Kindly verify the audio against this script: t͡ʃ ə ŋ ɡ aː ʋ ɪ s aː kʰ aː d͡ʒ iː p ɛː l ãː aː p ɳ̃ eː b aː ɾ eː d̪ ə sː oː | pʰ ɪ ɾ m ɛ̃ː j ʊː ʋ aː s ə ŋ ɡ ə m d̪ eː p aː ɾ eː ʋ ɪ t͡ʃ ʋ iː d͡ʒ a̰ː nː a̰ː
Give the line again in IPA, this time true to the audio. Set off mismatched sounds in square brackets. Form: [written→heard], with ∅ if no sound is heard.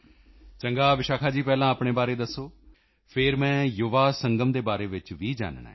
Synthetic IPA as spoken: t͡ʃ ə ŋ ɡ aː ʋ ɪ [s→ʃ] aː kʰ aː d͡ʒ iː p ɛː l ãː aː p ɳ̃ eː b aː ɾ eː d̪ ə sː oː | pʰ ɪ ɾ m ɛ̃ː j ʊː ʋ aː s ə ŋ ɡ ə m d̪ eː [p→b] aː ɾ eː ʋ ɪ t͡ʃ ʋ iː d͡ʒ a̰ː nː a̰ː